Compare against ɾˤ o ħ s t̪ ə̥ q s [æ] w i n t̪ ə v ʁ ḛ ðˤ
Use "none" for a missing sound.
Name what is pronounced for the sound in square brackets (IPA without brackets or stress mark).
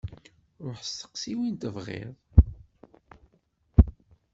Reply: i